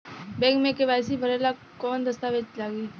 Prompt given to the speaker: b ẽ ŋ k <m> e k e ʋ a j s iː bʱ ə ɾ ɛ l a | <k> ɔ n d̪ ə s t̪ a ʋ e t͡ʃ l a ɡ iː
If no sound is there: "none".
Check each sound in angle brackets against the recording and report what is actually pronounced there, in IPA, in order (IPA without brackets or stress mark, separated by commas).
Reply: m, k